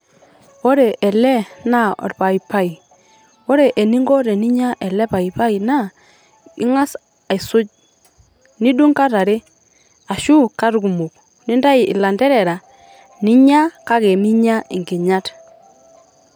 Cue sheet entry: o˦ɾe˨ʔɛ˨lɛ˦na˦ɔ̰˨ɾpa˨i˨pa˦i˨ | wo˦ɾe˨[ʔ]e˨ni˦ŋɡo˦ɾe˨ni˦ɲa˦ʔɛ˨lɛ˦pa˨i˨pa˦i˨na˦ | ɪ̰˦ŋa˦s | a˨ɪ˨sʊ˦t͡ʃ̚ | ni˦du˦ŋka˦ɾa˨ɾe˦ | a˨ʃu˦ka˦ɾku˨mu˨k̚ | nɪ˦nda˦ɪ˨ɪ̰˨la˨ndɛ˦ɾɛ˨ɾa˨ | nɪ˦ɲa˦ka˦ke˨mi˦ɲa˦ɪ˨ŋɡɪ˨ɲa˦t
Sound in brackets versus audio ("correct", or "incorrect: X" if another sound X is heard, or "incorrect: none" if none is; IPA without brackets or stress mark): correct